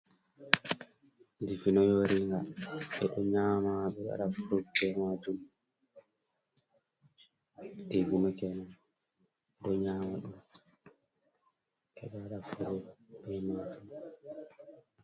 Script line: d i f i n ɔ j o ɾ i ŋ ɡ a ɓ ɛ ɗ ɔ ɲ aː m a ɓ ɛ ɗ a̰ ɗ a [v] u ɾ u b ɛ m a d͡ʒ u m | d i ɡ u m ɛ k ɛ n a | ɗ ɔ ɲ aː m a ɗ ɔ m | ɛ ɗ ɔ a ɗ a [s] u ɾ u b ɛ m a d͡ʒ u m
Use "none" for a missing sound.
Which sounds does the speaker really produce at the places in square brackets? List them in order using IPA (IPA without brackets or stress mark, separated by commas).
f, f